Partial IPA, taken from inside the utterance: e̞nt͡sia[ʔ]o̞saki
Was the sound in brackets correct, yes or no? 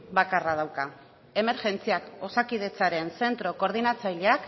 no